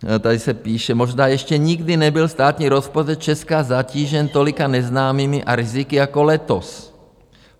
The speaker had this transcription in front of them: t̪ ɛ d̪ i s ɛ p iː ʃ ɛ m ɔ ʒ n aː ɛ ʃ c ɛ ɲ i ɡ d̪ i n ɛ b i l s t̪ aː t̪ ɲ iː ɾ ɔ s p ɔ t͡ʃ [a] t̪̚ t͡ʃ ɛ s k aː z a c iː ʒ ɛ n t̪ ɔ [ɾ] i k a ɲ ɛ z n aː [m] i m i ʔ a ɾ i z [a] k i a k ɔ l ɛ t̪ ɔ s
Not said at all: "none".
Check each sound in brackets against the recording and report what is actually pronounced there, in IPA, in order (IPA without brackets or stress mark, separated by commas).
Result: ɛ, l, m, i